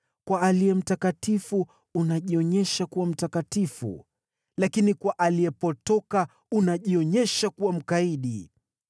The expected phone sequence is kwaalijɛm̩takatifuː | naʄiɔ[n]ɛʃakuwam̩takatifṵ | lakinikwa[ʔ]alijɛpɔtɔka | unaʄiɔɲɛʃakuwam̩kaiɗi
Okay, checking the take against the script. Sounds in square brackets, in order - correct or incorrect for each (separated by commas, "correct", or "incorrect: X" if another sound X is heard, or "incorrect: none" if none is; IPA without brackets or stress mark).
incorrect: ɲ, correct